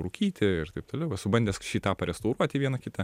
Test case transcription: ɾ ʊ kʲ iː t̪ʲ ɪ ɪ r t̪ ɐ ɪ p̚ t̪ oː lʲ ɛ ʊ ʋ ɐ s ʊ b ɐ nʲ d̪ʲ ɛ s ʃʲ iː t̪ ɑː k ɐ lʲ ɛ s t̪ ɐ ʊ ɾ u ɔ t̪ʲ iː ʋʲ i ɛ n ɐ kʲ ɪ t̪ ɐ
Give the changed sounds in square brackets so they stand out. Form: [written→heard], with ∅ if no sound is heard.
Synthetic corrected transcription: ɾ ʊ kʲ iː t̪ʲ ɪ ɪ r t̪ ɐ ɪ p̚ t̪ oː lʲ ɛ ʊ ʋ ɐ s ʊ b ɐ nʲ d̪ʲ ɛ s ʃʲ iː t̪ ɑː [k→p] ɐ [lʲ→ɾʲ] ɛ s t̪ ɐ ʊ ɾ u ɔ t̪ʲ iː ʋʲ i ɛ n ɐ kʲ ɪ t̪ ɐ